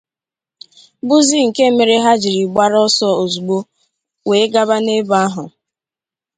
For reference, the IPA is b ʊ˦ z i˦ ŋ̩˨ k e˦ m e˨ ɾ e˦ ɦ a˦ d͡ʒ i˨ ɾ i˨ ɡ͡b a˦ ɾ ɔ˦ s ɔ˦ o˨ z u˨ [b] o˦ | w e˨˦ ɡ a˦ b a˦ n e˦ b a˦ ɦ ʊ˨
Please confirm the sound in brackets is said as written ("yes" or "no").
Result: no